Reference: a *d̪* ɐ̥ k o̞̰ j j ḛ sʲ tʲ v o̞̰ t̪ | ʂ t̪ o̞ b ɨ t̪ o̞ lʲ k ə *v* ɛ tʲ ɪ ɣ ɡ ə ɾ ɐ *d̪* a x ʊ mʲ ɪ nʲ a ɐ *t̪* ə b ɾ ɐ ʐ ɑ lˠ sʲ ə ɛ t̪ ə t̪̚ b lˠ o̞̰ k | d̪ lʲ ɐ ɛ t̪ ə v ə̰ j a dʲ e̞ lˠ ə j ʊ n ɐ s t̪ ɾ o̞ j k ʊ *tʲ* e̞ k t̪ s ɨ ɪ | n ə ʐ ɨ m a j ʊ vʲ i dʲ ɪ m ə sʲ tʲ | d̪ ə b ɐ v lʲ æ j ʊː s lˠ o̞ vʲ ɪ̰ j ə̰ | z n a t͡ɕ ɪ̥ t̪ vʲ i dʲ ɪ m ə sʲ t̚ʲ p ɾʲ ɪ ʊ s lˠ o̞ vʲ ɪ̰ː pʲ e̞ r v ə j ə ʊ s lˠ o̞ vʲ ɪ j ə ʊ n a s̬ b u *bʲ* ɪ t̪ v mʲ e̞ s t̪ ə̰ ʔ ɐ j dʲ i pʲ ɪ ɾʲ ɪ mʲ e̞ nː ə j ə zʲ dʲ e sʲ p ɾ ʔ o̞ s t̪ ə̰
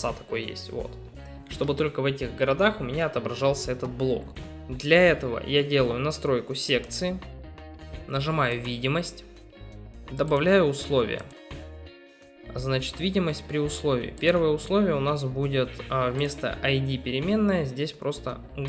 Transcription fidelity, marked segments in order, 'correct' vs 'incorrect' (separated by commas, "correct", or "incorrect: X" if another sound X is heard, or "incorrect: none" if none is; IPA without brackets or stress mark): incorrect: t̪, correct, correct, correct, incorrect: sʲ, incorrect: dʲ